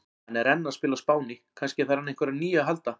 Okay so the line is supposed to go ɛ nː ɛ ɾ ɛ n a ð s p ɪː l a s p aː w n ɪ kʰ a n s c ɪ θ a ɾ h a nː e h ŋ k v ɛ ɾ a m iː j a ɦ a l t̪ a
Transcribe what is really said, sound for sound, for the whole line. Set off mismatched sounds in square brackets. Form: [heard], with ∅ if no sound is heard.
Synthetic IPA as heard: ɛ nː ɛ ɾ ɛ [nː] a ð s p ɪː l a s p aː w n ɪ kʰ a n s c ɪ θ a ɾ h a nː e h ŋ k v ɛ ɾ a [n] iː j a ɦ a l t̪ a